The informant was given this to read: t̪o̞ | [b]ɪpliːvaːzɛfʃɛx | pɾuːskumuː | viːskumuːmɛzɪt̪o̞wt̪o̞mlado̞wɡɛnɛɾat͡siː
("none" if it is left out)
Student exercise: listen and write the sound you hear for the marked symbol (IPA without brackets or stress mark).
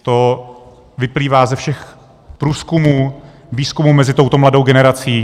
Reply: v